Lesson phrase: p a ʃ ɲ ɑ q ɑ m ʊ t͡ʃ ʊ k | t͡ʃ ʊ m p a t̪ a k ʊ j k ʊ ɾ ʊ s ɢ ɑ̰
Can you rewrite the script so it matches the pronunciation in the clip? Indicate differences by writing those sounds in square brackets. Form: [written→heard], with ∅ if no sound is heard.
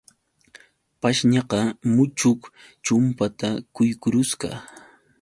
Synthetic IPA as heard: p a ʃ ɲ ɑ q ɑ m ʊ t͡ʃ ʊ k | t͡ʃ ʊ m p a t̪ a k ʊ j k ʊ ɾ ʊ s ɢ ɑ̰